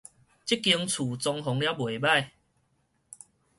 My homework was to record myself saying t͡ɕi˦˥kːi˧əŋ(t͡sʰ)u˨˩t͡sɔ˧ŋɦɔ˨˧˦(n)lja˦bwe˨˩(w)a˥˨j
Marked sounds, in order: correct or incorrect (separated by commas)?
correct, incorrect, incorrect